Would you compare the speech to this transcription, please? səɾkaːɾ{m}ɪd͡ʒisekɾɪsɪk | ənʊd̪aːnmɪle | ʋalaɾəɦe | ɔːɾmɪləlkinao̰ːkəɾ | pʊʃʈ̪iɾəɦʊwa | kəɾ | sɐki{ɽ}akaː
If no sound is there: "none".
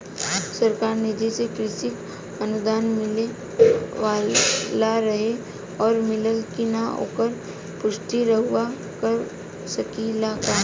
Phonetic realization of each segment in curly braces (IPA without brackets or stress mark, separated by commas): n, l